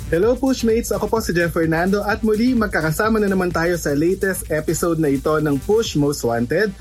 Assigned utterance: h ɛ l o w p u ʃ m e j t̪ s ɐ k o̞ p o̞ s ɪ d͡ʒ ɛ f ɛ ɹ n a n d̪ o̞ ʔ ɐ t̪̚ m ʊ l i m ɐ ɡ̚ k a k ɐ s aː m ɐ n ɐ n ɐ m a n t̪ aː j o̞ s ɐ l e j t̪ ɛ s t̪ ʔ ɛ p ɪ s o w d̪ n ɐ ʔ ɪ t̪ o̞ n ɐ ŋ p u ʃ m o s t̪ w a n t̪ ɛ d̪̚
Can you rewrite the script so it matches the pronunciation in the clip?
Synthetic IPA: h ɛ l o w p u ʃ m e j t̪ s ɐ k o̞ p o̞ s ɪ d͡ʒ ɛ f ɛ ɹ n a n d̪ o̞ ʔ ɐ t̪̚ m ʊ l i m ɐ ɡ̚ k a k ɐ s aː m ɐ n ɐ n ɐ m a n t̪ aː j o̞ s ɐ l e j t̪ ɛ s t̪ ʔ ɛ p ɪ s o w d̪ n ɐ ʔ ɪ t̪ o̞ n ɐ ŋ p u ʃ m o s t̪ w a n t̪ ɛ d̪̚